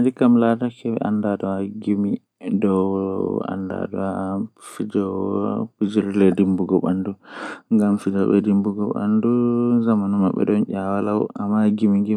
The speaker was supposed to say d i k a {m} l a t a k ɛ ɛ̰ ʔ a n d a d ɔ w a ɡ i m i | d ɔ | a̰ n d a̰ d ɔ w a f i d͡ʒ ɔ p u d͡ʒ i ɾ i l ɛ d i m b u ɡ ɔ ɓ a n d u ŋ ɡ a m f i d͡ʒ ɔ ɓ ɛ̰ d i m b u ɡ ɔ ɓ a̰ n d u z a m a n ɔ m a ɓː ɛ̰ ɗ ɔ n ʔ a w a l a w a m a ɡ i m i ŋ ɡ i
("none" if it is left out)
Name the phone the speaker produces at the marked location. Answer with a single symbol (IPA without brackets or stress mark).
m